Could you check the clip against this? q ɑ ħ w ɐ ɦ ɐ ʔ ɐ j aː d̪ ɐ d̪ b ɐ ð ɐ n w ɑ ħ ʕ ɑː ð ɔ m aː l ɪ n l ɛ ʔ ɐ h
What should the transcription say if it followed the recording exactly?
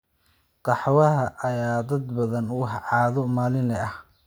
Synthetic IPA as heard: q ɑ ħ w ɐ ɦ ɐ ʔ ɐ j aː d̪ ɐ d̪ b ɐ ð ɐ n w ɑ ħ ʕ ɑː ð ɔ m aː l ɪ n l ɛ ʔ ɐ h